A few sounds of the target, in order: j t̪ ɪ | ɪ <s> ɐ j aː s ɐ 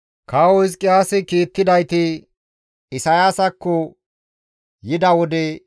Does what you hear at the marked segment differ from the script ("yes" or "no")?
no